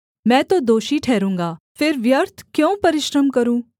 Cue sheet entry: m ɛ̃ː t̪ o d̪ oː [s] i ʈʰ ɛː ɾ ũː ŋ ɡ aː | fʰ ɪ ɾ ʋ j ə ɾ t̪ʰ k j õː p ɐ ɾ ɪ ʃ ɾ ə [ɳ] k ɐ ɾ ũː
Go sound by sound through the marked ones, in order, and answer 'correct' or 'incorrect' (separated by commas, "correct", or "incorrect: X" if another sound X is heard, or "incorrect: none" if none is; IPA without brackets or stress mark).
incorrect: ʃ, incorrect: m